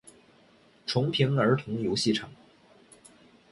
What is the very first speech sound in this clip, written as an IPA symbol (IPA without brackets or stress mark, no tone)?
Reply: ʈ͡ʂʰ